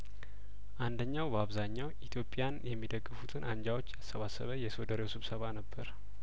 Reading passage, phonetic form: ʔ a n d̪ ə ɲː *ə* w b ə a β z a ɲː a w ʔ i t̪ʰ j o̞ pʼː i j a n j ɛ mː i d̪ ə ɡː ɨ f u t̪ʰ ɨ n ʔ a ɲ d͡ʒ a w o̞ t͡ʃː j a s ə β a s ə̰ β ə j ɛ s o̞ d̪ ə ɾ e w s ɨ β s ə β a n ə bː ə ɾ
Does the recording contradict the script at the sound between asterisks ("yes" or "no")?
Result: yes